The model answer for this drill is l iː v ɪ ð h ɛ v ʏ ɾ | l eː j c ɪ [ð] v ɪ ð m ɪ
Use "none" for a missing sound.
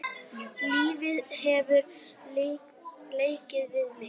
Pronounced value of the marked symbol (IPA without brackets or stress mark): ð